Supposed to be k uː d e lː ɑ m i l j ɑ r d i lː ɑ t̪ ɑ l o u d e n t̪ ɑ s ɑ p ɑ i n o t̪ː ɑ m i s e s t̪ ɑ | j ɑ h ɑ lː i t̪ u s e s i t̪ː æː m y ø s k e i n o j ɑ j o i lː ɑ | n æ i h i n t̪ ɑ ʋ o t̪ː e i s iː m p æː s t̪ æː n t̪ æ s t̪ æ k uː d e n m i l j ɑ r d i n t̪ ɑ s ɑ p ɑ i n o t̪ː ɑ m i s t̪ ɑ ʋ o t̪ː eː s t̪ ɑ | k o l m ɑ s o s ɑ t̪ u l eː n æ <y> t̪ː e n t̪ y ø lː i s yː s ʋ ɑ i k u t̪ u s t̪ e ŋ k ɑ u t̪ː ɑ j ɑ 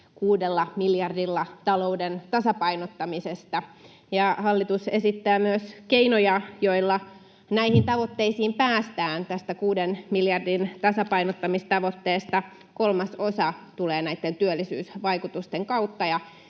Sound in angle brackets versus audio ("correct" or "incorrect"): incorrect